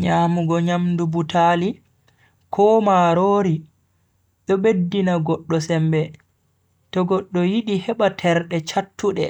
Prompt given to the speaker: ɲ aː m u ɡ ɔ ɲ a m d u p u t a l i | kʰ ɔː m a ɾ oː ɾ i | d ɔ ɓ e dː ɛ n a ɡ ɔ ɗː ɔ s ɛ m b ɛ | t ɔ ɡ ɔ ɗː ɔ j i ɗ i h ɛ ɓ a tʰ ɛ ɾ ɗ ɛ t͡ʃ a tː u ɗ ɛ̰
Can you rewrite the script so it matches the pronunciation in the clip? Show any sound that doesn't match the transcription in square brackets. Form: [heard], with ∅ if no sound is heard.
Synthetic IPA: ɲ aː m u ɡ ɔ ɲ a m d u [b] u t a l i | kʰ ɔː m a ɾ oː ɾ i | [ɗ] ɔ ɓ e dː [i] n a ɡ ɔ ɗː ɔ s ɛ m b ɛ | t ɔ ɡ ɔ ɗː ɔ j i ɗ i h ɛ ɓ a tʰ ɛ ɾ ɗ ɛ t͡ʃ a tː u ɗ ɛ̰